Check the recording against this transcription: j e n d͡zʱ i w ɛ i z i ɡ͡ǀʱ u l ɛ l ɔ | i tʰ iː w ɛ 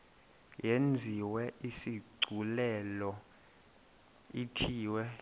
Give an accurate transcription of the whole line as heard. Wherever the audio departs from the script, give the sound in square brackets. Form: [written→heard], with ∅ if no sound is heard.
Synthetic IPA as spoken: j e n d͡zʱ i w ɛ i [z→s] i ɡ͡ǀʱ u l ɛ l ɔ | i tʰ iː w ɛ